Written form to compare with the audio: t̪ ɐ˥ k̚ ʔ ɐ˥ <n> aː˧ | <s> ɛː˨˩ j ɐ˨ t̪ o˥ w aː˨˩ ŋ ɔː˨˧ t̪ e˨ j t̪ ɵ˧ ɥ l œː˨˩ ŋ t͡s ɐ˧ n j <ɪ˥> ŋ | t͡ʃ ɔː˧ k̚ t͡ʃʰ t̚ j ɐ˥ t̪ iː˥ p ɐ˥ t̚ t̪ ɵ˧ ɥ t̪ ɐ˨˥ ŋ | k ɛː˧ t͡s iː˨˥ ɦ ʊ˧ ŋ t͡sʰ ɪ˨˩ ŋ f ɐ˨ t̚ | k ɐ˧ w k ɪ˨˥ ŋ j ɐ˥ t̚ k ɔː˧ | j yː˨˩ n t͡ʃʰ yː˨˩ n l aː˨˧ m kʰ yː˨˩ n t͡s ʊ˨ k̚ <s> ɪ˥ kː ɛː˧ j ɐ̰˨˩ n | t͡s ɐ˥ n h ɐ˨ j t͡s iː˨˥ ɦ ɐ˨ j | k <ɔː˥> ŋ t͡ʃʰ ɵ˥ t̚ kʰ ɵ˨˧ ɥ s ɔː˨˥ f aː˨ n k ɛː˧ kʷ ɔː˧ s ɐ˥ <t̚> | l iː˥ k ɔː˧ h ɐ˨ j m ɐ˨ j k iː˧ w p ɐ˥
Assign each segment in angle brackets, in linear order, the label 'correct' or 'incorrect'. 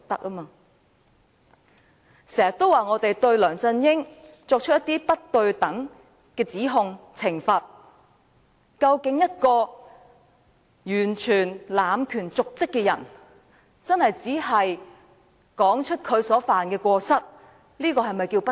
incorrect, correct, correct, incorrect, incorrect, correct

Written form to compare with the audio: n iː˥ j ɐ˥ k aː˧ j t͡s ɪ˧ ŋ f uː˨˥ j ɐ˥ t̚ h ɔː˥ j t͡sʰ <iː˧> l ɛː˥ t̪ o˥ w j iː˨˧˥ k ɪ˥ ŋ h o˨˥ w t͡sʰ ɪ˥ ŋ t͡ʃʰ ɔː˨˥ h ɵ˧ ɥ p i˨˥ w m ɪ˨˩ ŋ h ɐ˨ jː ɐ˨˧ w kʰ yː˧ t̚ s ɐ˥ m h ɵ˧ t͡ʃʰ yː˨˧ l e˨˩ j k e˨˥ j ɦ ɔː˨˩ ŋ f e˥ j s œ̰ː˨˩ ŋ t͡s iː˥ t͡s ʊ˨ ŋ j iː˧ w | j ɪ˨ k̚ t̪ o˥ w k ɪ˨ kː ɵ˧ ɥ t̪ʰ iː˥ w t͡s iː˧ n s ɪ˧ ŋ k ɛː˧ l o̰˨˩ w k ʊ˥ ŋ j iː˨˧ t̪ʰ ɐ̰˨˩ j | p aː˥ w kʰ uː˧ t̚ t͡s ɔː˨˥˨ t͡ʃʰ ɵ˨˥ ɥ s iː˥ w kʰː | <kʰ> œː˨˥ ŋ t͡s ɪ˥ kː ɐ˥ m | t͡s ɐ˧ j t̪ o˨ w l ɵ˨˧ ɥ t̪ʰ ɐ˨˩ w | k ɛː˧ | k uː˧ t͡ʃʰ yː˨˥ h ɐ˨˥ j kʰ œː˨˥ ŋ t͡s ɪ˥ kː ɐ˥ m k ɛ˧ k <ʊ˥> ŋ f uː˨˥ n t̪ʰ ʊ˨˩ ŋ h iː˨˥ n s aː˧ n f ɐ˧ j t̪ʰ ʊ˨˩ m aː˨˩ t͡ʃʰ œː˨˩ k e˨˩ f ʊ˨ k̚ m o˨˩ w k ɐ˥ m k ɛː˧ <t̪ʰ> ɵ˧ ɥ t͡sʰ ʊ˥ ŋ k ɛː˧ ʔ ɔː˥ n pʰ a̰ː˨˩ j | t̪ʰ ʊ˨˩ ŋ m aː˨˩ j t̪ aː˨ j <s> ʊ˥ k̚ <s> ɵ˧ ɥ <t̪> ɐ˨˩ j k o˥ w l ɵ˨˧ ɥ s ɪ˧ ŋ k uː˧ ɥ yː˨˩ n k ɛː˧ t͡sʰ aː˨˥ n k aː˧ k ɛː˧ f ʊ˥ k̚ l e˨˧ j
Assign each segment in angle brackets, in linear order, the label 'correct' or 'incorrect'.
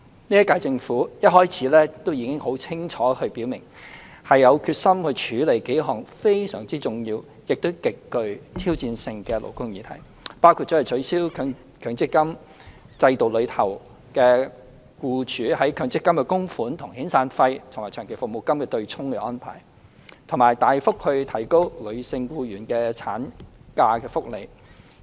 incorrect, correct, correct, incorrect, incorrect, incorrect, incorrect

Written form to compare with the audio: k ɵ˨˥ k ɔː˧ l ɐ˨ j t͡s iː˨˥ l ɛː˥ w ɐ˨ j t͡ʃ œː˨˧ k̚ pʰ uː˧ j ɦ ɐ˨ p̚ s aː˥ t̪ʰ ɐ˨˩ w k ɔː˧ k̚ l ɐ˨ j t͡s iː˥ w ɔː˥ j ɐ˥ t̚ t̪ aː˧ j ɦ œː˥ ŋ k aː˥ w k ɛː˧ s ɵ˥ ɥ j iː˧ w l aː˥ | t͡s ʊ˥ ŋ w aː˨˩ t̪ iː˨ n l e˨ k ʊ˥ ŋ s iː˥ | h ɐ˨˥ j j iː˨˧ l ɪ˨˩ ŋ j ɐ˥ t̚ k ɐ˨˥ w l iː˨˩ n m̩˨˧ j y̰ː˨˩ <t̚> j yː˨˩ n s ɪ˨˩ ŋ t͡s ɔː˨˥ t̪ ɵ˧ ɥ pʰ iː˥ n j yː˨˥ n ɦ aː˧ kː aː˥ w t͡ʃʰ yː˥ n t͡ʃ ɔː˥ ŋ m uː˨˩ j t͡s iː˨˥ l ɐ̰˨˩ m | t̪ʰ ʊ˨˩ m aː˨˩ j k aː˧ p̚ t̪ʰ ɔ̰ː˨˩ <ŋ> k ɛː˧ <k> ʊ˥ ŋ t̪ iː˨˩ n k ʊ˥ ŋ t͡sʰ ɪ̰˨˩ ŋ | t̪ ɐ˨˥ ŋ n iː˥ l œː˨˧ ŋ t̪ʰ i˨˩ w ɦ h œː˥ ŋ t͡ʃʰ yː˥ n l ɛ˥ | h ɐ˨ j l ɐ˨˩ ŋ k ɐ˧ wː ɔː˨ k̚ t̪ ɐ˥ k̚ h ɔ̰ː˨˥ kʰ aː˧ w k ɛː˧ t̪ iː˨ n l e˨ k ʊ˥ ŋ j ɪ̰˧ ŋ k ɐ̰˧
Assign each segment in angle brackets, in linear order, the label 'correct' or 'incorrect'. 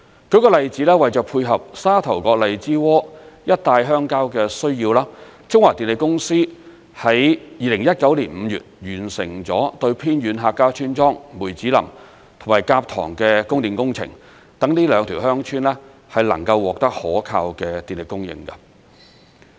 correct, correct, correct

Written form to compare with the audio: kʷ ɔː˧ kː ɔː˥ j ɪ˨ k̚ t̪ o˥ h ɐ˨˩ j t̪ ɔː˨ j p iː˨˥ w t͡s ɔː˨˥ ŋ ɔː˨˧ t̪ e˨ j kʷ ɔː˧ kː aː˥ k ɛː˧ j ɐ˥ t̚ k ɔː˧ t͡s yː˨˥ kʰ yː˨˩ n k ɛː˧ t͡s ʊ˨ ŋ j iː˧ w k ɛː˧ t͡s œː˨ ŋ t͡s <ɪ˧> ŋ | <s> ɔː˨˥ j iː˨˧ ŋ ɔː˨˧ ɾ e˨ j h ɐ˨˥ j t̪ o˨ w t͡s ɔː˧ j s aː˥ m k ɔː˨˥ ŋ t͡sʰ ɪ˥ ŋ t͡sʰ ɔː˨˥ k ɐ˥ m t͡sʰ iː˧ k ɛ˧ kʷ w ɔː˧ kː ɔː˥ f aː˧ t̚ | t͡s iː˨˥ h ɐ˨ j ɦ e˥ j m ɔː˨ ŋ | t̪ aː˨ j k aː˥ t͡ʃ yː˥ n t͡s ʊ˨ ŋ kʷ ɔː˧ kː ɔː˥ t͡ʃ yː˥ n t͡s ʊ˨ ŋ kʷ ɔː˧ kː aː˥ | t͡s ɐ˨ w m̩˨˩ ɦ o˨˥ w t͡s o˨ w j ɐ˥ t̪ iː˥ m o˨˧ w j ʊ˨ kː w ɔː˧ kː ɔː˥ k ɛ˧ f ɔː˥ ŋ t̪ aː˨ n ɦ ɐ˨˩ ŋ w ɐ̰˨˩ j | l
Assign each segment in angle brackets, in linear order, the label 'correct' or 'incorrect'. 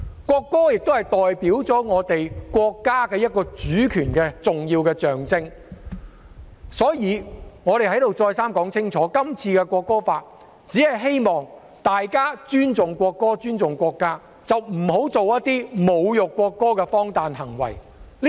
incorrect, correct

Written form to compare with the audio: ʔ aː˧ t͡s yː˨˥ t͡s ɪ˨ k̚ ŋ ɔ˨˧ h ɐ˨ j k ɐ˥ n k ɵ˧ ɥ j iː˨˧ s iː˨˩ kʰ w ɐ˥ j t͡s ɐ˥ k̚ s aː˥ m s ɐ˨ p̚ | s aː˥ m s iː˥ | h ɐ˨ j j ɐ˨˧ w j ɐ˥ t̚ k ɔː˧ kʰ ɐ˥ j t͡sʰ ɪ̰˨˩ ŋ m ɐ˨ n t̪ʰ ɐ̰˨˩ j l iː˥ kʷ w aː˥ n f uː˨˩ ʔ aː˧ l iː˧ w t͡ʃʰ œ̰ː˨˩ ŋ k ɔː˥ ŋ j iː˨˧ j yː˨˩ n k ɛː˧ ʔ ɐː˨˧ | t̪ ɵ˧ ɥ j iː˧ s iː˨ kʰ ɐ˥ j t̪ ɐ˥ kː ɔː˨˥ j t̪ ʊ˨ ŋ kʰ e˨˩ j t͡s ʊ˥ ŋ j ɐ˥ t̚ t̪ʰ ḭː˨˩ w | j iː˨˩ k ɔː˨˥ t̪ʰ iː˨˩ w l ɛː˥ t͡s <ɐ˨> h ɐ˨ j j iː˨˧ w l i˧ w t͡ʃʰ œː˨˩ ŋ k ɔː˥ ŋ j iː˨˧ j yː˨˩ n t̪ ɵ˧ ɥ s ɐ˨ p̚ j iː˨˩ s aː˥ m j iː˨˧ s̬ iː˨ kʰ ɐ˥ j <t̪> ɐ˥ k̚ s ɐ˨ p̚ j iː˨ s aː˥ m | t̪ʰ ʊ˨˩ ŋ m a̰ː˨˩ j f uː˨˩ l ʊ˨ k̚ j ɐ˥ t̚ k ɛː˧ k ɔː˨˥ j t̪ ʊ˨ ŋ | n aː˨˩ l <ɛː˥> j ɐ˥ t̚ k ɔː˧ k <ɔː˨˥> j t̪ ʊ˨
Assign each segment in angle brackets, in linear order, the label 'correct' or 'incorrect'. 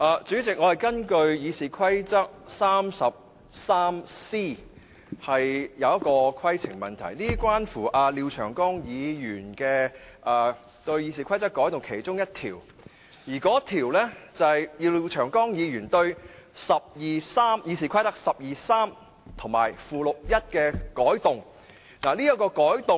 correct, correct, incorrect, correct

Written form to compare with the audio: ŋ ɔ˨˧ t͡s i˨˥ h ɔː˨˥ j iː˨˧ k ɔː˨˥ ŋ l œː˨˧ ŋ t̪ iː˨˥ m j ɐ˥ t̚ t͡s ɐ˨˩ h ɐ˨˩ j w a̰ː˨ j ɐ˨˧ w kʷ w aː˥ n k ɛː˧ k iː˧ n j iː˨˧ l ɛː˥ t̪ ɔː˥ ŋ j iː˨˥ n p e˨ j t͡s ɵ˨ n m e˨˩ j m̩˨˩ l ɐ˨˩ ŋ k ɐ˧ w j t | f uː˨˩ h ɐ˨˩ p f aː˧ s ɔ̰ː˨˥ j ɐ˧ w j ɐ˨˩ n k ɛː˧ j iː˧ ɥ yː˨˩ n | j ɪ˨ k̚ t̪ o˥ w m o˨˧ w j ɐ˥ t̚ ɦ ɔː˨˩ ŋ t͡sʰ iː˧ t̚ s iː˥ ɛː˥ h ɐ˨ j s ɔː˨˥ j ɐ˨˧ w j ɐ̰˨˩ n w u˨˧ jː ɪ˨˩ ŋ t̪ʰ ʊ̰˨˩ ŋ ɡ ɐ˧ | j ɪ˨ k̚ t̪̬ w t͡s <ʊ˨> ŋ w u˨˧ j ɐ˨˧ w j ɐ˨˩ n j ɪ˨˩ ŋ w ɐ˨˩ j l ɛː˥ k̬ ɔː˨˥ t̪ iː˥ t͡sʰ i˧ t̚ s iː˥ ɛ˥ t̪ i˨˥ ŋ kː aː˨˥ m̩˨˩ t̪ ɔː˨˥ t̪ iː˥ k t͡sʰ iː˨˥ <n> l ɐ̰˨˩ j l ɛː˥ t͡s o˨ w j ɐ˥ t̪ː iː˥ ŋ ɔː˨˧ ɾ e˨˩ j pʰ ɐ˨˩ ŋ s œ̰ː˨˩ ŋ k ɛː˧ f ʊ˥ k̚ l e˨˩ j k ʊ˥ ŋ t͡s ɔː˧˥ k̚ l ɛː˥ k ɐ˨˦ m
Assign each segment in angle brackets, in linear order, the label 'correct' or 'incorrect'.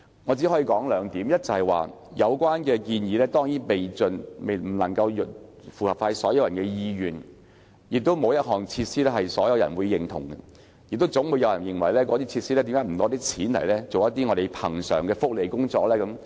incorrect, correct

